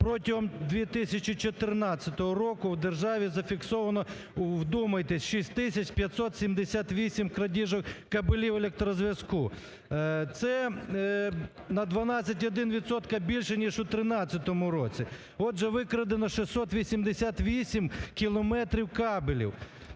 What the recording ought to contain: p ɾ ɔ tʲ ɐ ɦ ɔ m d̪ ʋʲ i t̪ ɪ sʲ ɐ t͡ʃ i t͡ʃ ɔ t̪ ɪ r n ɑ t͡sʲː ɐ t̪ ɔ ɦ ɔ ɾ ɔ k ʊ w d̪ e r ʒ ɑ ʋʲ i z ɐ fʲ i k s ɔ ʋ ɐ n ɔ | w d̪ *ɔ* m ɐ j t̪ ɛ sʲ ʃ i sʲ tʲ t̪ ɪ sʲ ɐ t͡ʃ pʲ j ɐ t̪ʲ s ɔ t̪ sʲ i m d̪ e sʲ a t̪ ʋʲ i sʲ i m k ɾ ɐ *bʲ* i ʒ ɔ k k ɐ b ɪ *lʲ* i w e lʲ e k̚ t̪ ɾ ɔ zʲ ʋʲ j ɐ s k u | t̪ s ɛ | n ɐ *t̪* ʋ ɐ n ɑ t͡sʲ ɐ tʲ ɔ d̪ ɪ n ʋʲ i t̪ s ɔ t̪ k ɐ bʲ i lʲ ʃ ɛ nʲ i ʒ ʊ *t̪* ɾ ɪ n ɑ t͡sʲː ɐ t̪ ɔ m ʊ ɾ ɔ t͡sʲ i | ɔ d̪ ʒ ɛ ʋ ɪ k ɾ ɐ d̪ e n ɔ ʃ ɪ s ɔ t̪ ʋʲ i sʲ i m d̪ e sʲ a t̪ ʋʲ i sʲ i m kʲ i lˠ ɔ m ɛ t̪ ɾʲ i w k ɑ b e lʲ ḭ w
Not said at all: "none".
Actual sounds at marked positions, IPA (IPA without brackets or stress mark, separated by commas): u, dʲ, lʲ, d̪, t̪